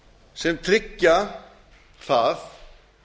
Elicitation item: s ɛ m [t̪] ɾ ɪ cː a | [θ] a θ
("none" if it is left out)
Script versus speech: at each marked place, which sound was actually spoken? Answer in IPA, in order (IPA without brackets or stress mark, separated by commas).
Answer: t̪ʰ, θ